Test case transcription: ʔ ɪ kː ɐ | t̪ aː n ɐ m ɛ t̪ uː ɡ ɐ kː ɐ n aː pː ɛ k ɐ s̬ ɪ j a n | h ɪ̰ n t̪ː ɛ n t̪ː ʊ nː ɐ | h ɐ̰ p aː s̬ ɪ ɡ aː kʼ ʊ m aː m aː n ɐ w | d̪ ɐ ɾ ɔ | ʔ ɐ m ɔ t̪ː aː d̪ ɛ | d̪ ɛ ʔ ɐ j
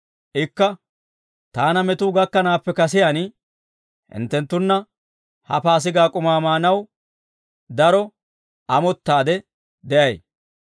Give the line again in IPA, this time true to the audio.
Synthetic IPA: ʔ ɪ kː ɐ | t̪ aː n ɐ m ɛ t̪ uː ɡ ɐ kː ɐ n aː pː ɛ k ɐ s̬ ɪ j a n | h ɪ̰ n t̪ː ɛ n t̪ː ʊ nː ɐ | h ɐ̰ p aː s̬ ɪ ɡ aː kʼ ʊ m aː m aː n ɐ w | d̪ ɐ ɾ ɔ | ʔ ɐ m ɔ t̪ː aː d̪ ɛ | d̪ ɛ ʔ ɐ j